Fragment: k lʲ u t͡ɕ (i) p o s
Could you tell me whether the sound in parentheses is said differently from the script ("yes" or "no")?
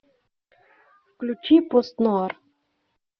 no